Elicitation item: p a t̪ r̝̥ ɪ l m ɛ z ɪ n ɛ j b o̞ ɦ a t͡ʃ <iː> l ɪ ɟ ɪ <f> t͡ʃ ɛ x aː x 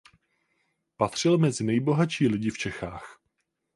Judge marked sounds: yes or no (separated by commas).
yes, yes